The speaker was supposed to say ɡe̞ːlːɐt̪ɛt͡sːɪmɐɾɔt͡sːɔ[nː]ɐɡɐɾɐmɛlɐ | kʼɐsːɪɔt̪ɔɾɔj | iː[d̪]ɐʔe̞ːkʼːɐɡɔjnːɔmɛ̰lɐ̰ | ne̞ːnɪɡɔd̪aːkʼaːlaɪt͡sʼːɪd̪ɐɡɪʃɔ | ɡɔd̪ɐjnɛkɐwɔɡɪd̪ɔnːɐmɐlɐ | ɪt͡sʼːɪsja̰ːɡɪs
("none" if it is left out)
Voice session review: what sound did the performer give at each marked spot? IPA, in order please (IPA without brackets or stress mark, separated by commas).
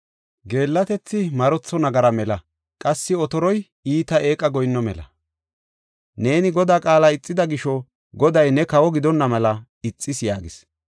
n, t̪